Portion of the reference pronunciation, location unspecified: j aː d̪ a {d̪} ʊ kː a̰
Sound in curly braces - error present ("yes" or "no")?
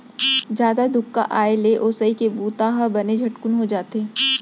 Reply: no